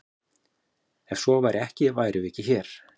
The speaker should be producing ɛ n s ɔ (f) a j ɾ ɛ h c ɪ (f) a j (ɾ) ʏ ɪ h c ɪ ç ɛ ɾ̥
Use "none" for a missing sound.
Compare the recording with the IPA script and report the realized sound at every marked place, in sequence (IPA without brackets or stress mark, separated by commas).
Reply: v, v, ɾ